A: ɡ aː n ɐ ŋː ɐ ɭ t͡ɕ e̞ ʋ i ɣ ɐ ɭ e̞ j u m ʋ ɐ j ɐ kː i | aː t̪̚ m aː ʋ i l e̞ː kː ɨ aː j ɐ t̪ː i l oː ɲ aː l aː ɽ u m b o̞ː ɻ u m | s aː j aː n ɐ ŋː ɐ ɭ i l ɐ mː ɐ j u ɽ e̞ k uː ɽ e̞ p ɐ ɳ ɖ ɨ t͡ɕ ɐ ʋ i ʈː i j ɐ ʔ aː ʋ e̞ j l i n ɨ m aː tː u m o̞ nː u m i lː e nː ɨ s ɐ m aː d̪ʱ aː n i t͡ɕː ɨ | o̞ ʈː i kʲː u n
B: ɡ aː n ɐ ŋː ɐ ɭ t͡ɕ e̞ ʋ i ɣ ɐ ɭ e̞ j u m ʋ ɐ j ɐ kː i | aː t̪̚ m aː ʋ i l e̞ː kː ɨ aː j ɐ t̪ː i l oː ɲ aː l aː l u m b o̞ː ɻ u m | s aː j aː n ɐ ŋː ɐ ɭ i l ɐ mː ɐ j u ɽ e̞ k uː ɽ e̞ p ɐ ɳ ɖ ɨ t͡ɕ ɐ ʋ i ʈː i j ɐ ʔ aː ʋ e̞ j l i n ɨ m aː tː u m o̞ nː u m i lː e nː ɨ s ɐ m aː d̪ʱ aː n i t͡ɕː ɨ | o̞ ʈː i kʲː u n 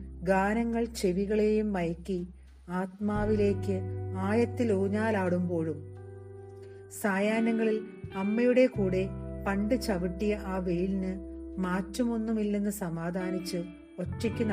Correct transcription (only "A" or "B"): A